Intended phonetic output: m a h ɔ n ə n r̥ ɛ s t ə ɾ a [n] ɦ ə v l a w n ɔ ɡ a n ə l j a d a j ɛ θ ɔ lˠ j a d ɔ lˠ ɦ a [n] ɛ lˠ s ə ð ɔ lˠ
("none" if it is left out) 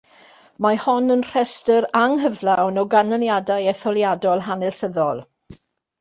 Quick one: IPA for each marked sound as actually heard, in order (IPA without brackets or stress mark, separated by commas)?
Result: ŋ, n